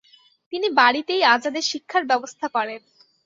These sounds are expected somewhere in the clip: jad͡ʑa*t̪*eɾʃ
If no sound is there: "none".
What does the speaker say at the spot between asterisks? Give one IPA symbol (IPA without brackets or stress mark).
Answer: d̪